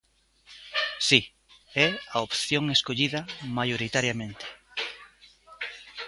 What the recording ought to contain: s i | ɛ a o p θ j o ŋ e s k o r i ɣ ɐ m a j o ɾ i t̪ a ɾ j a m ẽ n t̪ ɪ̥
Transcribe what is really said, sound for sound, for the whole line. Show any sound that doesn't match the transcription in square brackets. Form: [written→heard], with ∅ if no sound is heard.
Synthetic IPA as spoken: s i | ɛ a o p θ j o ŋ e s k o [r→ʎ] i [ɣ→ð] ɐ m a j o ɾ i t̪ a ɾ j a m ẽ n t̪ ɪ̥